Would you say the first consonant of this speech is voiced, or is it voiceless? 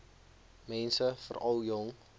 voiced